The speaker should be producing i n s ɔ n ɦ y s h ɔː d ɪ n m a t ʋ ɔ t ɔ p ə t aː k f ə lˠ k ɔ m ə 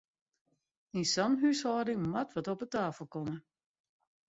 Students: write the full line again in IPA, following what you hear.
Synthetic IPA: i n s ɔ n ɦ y s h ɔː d ɪ ŋ m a t ʋ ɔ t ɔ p ə t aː f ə lˠ k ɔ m ə